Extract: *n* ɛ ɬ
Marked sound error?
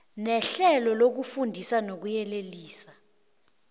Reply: no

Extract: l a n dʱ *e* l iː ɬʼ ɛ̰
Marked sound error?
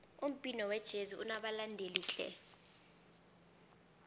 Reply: no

